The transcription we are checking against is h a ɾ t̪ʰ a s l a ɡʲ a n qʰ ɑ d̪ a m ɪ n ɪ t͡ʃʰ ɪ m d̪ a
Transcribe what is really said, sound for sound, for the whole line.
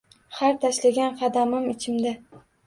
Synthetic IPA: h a ɾ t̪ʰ a ʃ l a ɡʲ a n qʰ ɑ d̪ a m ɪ m ɪ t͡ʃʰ ɪ m d̪ a

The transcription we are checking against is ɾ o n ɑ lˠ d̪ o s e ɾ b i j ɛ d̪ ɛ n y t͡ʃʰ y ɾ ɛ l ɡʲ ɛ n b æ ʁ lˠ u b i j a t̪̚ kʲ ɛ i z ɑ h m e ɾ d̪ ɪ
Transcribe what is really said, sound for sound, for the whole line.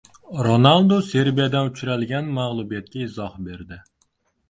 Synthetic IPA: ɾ o n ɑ lˠ d̪ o s e ɾ b i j ɛ d̪ ɛ n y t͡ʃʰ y ɾ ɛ l ɡʲ ɛ n m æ ʁ lˠ u b i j ɛ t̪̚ kʲ ɛ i z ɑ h b e ɾ d̪ ɪ

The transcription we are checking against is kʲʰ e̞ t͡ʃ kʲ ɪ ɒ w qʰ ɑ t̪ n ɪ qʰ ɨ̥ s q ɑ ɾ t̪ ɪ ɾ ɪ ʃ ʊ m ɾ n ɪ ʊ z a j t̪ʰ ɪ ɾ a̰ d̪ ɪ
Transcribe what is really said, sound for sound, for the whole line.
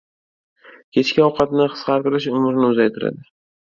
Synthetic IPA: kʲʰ e̞ t͡ʃ kʲ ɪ ɒ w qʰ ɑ t̪ n ɪ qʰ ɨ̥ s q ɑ ɾ t̪ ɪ ɾ ɪ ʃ ʊ m ɾ n ɪ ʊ z a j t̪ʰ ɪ ɾ a̰ d̪ ɪ

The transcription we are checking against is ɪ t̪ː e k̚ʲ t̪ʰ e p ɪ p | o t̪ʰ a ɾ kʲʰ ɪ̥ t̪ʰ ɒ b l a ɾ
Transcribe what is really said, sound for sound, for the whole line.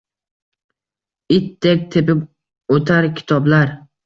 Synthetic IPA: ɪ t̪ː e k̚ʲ t̪ʰ e p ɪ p | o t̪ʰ a ɾ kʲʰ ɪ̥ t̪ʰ ɒ b l a ɾ

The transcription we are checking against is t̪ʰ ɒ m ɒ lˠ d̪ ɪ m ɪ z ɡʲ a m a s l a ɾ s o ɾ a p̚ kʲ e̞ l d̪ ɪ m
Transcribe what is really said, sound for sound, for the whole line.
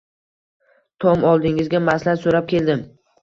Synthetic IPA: t̪ʰ ɒ m ɒ lˠ d̪ ɪ ŋ ɪ z ɡʲ a m a s l a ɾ s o ɾ a p̚ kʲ e̞ l d̪ ɪ m

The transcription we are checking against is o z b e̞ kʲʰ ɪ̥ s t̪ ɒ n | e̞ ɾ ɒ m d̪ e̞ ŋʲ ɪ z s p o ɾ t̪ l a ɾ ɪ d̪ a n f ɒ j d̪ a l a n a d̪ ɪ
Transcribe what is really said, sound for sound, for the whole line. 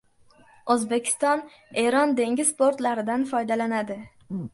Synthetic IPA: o z b e̞ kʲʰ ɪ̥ s t̪ ɒ n | e̞ ɾ ɒ n d̪ e̞ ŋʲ ɪ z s p o ɾ t̪ l a ɾ ɪ d̪ a n f ɒ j d̪ a l a n a d̪ ɪ

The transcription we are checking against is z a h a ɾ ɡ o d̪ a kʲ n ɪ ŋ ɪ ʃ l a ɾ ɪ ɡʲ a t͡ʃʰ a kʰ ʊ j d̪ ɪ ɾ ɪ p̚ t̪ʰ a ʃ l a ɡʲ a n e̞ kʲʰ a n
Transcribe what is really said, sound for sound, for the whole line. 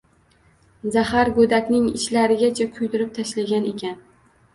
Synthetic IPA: z a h a ɾ ɡ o d̪ a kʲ n ɪ ŋ ɪ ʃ l a ɾ ɪ ɡʲ a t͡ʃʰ a kʰ ʊ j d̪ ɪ ɾ ɪ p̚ t̪ʰ a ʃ l a ɡʲ a n e̞ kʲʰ a n

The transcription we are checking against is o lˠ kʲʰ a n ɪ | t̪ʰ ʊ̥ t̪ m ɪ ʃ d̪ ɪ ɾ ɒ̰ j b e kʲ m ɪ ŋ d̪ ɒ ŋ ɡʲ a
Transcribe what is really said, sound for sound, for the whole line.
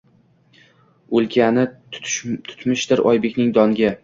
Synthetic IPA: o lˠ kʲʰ a n ɪ | t̪ʰ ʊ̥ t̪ m ɪ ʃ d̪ ɪ ɾ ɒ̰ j b e kʲ n ɪ ŋ d̪ ɒ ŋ ɡʲ a

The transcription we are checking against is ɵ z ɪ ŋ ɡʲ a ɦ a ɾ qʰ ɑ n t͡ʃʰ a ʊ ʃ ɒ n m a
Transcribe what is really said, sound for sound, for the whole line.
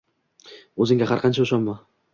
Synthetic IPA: ɵ z ɪ ŋ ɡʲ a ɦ a ɾ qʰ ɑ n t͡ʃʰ a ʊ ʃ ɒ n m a

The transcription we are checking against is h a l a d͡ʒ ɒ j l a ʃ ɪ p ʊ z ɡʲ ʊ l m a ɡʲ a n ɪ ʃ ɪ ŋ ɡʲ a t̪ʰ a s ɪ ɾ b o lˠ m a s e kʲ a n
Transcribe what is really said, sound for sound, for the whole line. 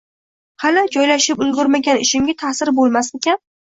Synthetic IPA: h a l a d͡ʒ ɒ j l a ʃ ɪ p ʊ z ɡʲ ʊ ɾ m a ɡʲ a n ɪ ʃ ɪ m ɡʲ a t̪ʰ a s ɪ ɾ b o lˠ m a s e kʲ a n

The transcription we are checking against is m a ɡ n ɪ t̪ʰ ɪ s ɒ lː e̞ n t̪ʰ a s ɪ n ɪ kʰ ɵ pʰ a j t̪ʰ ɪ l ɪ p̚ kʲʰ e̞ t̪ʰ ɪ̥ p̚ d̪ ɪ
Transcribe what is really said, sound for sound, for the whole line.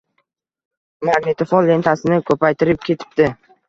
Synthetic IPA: m a ɡ n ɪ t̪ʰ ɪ f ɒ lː e̞ n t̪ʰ a s ɪ n ɪ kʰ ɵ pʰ a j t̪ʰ ɪ ɾ ɪ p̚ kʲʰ e̞ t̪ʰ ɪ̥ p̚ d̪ ɪ

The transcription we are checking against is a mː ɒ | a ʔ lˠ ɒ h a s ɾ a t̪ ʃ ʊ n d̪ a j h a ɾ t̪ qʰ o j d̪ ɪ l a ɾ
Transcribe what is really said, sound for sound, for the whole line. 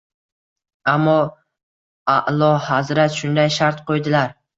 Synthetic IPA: a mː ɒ | a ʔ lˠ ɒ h a z ɾ a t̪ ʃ ʊ n d̪ a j ʃ a ɾ t̪ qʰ o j d̪ ɪ l a ɾ

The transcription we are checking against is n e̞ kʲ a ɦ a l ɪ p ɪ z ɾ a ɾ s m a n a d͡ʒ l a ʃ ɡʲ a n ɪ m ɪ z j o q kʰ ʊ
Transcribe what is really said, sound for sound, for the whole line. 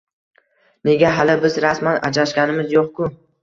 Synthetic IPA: n e̞ ɡʲ a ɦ a l ɪ b ɪ z ɾ a s m a n a d͡ʒ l a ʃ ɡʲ a n ɪ m ɪ z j o q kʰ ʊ

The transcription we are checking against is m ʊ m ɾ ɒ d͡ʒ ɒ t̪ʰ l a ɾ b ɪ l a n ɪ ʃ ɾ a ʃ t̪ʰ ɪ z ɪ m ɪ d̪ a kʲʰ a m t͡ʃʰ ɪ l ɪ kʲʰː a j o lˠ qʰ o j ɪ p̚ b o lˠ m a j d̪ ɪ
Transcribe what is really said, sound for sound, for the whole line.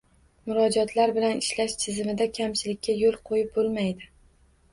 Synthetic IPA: m ʊ ɾ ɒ d͡ʒ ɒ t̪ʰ l a ɾ b ɪ l a n ɪ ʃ l a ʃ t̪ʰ ɪ z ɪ m ɪ d̪ a kʲʰ a m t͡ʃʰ ɪ l ɪ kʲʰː a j o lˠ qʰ o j ɪ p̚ b o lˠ m a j d̪ ɪ

